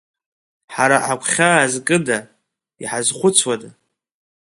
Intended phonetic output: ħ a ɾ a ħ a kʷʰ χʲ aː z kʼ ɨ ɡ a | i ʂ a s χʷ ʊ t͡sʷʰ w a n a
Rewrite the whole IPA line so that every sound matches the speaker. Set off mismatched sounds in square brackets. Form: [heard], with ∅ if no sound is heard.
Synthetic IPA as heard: ħ a ɾ a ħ a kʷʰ χʲ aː z kʼ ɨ [d] a | i [ħ] a [z] χʷ ʊ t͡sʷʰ w a [d] a